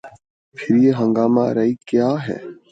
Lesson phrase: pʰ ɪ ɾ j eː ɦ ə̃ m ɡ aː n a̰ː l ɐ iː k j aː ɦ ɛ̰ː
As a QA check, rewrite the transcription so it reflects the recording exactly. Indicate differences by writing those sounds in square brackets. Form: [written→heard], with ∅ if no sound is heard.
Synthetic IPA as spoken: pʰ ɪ ɾ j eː ɦ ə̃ [m→ŋ] ɡ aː [n→m] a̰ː [l→ɾ] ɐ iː k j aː ɦ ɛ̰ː